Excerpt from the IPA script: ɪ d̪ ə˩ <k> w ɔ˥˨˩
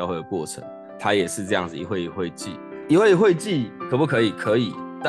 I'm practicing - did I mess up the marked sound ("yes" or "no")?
no